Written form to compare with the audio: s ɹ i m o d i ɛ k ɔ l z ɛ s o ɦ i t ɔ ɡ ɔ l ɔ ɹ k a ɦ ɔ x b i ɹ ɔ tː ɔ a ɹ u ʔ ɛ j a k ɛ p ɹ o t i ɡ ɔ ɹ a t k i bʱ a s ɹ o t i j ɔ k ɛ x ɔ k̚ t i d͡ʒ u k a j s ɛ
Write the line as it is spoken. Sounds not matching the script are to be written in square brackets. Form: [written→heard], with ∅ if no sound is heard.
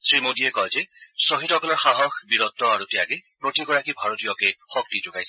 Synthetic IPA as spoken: s ɹ i m o d i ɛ k ɔ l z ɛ s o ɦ i t ɔ [ɡ→k] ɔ l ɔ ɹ [k→x] a ɦ ɔ x b i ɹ ɔ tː ɔ a ɹ u [ʔ→t] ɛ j a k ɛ p ɹ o t i ɡ ɔ ɹ a [t→∅] k i bʱ a [s→∅] ɹ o t i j ɔ k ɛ x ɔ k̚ t i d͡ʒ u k a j s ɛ